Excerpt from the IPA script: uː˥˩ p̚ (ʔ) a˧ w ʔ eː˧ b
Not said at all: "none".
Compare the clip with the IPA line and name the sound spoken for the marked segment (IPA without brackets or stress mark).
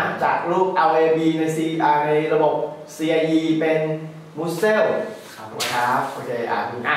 ʔ